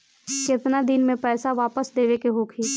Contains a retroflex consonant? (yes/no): no